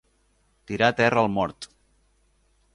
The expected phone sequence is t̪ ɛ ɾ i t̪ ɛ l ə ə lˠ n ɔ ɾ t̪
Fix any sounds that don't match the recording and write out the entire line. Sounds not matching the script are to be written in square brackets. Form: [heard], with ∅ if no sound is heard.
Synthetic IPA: t̪ [i] ɾ [a] t̪ ɛ [r] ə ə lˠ [m] ɔ ɾ t̪